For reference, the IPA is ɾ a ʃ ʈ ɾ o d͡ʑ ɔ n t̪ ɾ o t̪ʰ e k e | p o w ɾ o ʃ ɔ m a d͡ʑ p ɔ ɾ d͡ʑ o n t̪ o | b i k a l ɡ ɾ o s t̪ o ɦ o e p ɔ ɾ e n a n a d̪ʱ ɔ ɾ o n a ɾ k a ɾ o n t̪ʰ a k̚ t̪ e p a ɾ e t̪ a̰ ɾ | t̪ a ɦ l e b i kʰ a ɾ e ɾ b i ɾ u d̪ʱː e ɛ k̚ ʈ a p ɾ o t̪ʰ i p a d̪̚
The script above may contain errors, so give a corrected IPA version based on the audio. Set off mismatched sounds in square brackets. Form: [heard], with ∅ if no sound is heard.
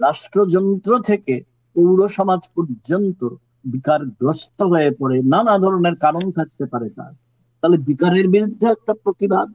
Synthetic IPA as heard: ɾ a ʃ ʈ ɾ o d͡ʑ ɔ n t̪ ɾ o t̪ʰ e k e | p o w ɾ o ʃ ɔ m a d͡ʑ p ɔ ɾ d͡ʑ o n t̪ o | b i k a [ɾ] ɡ ɾ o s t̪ o ɦ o e p ɔ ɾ e n a n a d̪ʱ ɔ ɾ o n [e] ɾ k a ɾ o n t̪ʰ a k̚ t̪ e p a ɾ e t̪ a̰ ɾ | t̪ a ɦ l e b i [k] a ɾ e ɾ b i ɾ u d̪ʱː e ɛ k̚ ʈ a p ɾ o [t̪] i [b] a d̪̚